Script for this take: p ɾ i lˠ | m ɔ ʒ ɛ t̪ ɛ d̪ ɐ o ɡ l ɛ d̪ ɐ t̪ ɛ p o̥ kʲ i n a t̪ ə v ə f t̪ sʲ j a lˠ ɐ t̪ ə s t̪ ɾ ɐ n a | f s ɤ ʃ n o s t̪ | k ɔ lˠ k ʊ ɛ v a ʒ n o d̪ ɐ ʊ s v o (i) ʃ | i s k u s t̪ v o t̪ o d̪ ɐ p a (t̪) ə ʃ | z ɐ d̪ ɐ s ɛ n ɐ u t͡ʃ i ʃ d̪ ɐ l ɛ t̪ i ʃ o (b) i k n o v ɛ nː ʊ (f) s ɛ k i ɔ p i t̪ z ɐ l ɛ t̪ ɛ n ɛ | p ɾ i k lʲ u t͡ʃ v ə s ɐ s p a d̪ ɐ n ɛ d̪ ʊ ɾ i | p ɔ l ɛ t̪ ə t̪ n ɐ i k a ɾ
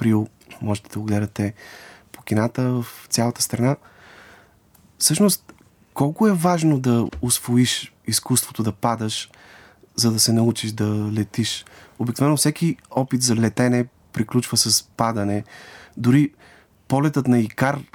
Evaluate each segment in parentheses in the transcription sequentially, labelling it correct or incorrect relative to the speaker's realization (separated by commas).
correct, incorrect, correct, correct